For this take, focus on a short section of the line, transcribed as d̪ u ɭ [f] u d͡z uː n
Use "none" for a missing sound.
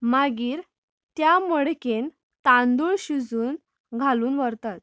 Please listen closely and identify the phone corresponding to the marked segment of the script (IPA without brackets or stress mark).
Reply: ɕ